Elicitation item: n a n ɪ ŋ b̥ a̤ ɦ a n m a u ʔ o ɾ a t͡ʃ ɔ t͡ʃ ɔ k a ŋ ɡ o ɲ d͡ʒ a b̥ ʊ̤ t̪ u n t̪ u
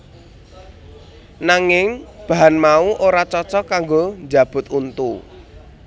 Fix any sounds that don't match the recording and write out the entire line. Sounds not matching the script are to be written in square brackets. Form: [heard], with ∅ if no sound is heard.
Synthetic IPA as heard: n a [ŋ] ɪ ŋ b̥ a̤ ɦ a n m a u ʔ o ɾ a t͡ʃ ɔ t͡ʃ ɔ k a ŋ ɡ o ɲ d͡ʒ a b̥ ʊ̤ t̪ u n t̪ u